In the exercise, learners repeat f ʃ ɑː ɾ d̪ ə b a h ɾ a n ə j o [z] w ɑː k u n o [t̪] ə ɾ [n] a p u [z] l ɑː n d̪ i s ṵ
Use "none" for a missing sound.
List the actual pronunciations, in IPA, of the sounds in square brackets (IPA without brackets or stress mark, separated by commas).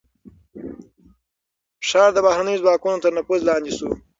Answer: z, t̪, n, z